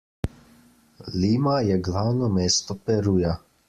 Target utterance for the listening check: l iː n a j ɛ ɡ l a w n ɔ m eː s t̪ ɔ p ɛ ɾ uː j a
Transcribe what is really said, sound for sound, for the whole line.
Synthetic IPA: l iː m a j ɛ ɡ l a w n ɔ m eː s t̪ ɔ p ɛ ɾ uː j a